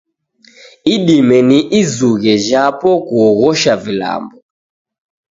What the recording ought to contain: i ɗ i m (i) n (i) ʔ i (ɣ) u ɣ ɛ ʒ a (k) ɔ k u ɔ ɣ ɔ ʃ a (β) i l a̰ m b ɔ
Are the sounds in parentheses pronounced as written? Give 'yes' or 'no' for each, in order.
no, yes, no, no, no

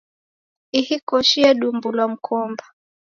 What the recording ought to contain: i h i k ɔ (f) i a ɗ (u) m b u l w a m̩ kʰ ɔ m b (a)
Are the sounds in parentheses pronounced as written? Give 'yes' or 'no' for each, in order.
no, yes, yes

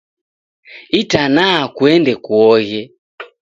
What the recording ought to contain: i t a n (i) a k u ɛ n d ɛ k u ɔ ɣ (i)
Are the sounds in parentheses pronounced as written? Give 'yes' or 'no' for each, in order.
no, no

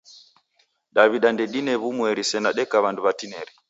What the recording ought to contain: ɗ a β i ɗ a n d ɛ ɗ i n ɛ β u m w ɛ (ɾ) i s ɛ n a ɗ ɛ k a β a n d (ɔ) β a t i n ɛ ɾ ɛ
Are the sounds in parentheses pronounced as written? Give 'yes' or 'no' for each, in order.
yes, no

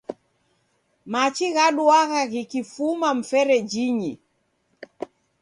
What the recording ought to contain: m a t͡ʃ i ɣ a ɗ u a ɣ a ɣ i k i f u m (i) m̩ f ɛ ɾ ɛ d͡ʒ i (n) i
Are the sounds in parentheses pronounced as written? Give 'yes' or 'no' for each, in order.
no, no

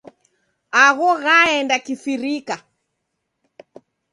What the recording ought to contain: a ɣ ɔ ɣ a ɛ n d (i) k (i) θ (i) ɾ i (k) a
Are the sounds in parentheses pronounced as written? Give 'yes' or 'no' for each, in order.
no, yes, yes, yes

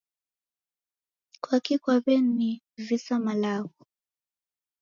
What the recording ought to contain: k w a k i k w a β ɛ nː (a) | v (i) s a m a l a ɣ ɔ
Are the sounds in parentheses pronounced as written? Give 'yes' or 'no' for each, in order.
no, yes

